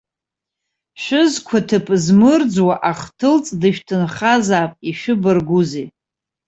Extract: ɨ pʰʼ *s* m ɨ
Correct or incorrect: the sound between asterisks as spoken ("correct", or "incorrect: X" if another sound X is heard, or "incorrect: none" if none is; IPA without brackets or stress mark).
incorrect: z